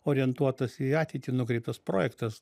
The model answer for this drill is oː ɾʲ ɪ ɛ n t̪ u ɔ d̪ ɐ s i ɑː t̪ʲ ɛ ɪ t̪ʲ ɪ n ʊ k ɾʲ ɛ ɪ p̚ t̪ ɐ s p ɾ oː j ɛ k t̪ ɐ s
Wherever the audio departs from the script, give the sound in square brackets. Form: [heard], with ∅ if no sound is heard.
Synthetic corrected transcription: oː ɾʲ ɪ ɛ n t̪ u ɔ [t̪] ɐ s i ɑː t̪ʲ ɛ ɪ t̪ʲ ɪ n ʊ k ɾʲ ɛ ɪ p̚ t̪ ɐ s p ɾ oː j ɛ k t̪ ɐ s